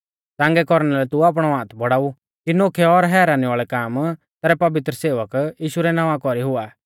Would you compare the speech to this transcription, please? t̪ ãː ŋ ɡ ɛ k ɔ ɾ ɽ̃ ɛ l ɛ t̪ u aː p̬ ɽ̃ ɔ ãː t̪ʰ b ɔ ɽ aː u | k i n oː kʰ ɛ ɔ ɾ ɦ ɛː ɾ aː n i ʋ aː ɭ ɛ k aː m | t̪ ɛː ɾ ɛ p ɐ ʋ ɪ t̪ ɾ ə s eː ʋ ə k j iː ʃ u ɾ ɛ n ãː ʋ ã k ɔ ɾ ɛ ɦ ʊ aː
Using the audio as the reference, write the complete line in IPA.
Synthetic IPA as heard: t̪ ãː ŋ ɡ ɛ k ɔ ɾ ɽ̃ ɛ l ɛ t̪ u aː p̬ ɽ̃ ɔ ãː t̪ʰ b ɔ ɽ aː u | k i n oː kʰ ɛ ɔ ɾ ɦ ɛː ɾ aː n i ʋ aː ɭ ɛ k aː m | t̪ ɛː ɾ ɛ p ɐ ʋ ɪ t̪ ɾ ə s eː ʋ ə k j iː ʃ u ɾ ɛ n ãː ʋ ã k ɔ ɾ i ɦ ʊ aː